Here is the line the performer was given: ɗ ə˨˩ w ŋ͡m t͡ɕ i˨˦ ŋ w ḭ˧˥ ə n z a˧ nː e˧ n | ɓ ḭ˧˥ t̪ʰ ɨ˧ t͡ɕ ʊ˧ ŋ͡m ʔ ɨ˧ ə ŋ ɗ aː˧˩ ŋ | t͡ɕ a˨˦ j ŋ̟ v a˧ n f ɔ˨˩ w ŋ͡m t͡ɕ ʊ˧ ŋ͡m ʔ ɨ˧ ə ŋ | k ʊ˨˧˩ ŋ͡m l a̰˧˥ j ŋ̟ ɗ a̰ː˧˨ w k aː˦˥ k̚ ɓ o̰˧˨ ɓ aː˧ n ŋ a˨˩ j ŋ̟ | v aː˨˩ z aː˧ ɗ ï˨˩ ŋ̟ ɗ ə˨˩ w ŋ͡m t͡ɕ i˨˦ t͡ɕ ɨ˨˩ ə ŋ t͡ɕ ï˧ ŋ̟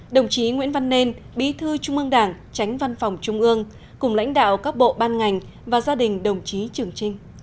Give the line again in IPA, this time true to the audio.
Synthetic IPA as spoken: ɗ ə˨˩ w ŋ͡m t͡ɕ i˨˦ ŋ w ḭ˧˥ ə n v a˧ nː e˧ n | ɓ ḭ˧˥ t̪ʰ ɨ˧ t͡ɕ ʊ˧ ŋ͡m ʔ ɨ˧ ə ŋ ɗ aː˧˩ ŋ | t͡ɕ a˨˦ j ŋ̟ v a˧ n f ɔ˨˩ w ŋ͡m t͡ɕ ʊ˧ ŋ͡m ʔ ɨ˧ ə ŋ | k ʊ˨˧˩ ŋ͡m l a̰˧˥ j ŋ̟ ɗ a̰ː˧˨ w k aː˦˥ k̚ ɓ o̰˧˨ ɓ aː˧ n ŋ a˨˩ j ŋ̟ | v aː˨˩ z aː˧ ɗ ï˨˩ ŋ̟ ɗ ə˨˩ w ŋ͡m t͡ɕ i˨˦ t͡ɕ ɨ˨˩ ə ŋ t͡ɕ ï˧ ŋ̟